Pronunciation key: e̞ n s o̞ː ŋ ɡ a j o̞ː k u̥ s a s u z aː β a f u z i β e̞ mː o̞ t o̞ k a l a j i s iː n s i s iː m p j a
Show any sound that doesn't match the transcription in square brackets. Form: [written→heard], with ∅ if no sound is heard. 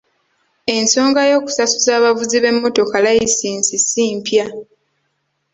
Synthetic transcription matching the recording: e̞ n s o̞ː ŋ ɡ a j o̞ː k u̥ s a s u z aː β a [f→v] u z i β e̞ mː o̞ t o̞ k a l a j i s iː n s i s iː m p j a